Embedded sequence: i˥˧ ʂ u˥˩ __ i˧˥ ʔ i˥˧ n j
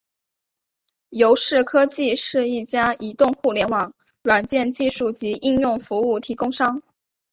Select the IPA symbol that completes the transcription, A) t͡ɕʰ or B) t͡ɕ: B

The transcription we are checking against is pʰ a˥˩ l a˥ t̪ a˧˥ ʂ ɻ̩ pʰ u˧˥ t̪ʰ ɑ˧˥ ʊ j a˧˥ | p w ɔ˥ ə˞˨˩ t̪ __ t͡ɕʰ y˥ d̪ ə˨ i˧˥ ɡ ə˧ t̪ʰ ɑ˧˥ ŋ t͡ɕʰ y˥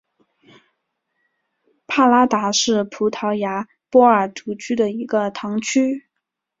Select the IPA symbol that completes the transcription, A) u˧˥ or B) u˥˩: A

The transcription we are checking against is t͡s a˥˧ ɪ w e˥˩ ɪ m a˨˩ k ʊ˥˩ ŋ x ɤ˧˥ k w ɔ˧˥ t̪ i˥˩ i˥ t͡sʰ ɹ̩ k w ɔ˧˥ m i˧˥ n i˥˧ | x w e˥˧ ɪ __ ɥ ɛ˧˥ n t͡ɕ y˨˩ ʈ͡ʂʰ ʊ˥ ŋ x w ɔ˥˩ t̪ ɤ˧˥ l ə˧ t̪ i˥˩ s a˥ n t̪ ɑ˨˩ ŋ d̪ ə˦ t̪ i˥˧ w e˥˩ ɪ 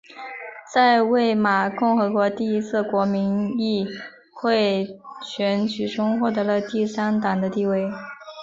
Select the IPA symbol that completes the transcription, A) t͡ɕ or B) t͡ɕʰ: B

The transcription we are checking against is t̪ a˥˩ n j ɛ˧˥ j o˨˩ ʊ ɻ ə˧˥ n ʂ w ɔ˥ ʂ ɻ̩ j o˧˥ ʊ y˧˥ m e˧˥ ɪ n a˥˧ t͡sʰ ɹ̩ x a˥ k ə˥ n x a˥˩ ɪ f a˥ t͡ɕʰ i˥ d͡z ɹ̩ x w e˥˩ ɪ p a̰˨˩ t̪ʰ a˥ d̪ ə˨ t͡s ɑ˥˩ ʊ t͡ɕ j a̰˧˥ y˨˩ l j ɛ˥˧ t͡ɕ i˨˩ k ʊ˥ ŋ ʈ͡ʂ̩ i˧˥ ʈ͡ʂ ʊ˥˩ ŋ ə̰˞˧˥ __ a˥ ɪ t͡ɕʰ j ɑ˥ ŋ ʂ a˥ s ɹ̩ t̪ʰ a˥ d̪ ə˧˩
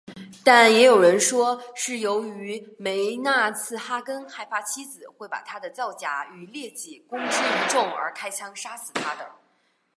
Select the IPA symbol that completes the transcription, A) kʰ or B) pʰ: A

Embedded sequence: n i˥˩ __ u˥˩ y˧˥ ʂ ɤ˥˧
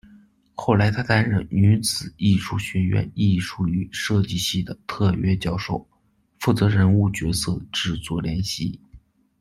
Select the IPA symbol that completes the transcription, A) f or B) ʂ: B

